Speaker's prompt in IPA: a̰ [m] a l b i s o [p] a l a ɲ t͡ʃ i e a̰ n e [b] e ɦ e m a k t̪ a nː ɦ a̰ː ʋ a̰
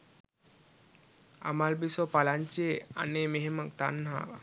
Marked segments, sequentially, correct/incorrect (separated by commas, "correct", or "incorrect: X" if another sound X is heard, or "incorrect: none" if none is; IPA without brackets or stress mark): correct, correct, incorrect: m